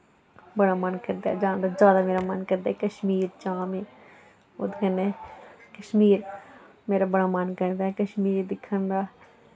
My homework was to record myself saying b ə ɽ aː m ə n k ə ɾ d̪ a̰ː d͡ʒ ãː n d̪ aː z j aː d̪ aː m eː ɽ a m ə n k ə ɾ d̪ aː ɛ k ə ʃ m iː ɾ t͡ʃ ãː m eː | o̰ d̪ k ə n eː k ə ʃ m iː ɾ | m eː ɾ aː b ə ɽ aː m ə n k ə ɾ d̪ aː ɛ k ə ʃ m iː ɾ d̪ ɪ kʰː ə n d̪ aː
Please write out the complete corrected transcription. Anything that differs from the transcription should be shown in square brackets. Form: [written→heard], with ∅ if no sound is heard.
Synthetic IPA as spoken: b ə ɽ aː m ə n k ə ɾ d̪ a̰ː d͡ʒ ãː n d̪ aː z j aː d̪ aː m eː [ɽ→ɾ] a m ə n k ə ɾ d̪ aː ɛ k ə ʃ m iː ɾ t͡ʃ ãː m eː | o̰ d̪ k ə n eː k ə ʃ m iː ɾ | m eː ɾ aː b ə ɽ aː m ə n k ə ɾ d̪ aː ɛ k ə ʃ m iː ɾ d̪ ɪ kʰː ə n d̪ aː